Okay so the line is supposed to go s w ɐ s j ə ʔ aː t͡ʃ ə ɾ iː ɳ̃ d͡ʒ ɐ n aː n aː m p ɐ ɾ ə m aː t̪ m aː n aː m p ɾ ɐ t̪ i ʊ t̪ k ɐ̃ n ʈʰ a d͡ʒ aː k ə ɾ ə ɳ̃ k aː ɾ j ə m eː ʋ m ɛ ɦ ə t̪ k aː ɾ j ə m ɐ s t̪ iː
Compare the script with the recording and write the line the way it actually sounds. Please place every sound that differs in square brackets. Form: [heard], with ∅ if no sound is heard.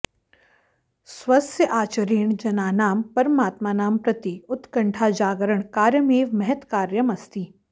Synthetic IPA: s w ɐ s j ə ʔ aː t͡ʃ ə ɾ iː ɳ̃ d͡ʒ ɐ n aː n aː m p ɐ ɾ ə m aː t̪ m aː n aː m p ɾ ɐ t̪ i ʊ t̪ k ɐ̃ [ɳ] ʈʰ a d͡ʒ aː [ɡ] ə ɾ ə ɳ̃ k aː ɾ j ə m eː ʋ m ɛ ɦ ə t̪ k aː ɾ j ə m ɐ s t̪ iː